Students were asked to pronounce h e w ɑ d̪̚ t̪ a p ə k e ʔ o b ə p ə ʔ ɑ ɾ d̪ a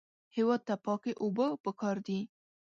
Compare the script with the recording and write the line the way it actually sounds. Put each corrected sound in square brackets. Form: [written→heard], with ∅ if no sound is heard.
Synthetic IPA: h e w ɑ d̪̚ t̪ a p [ə→ɑ] k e ʔ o b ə p ə [ʔ→k] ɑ ɾ d̪ [a→i]

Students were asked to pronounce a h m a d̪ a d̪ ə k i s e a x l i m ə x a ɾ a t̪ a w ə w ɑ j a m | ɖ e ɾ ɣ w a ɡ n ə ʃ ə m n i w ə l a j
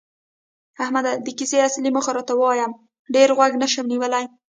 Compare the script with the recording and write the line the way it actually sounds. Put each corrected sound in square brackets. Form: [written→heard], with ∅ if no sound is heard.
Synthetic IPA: a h m a d̪ a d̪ ə k i s e a [x→s] l i m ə x a ɾ [a→ɑ] t̪ a w ə w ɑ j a m | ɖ e ɾ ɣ w a ɡ n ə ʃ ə m n i w ə l a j

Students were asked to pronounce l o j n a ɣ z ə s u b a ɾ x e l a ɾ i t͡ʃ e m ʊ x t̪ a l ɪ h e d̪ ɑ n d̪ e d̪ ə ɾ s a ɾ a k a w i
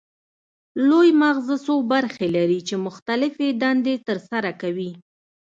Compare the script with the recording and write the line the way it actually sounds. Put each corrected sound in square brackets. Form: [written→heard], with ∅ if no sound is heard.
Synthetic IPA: l o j [n→m] a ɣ z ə s [u→o] b a ɾ x e l a ɾ i t͡ʃ e m ʊ x t̪ a l ɪ [h→f] e d̪ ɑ n d̪ e [d̪→t̪] ə ɾ s a ɾ a k a w i

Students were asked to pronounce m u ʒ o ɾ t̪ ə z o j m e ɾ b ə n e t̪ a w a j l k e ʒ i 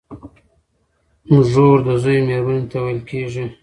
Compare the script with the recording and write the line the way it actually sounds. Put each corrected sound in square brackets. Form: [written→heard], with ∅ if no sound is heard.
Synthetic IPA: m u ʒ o ɾ [t̪→d̪] ə z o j m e ɾ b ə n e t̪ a w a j l k e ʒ i

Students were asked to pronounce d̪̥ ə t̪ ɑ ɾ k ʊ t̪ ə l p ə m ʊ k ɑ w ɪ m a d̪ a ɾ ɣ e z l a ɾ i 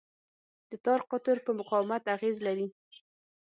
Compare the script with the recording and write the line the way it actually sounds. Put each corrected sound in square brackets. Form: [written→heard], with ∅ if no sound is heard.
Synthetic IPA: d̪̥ ə t̪ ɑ ɾ [k→q] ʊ t̪ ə [l→ɾ] p ə m ʊ [k→q] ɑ w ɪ m a [d̪→t̪] a [ɾ→∅] ɣ e z l a ɾ i

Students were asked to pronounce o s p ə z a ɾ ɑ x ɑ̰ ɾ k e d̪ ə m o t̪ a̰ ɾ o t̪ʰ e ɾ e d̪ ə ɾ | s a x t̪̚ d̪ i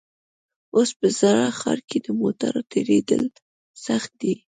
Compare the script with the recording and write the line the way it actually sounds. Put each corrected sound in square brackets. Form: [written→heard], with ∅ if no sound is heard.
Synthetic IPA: o s p ə z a ɾ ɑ x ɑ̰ ɾ k e d̪ ə m o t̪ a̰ ɾ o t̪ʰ e ɾ e d̪ ə [ɾ→l] | s a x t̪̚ d̪ i

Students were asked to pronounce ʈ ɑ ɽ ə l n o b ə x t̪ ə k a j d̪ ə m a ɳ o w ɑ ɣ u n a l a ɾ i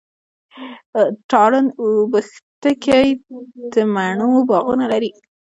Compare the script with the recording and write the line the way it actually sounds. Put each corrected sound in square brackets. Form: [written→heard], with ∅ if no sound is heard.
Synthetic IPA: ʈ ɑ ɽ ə [l→∅] n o b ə x t̪ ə k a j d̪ ə m a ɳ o [w→b] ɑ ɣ u n a l a ɾ i

